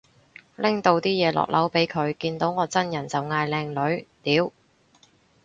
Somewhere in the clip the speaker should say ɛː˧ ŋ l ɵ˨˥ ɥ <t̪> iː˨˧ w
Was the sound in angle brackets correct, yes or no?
yes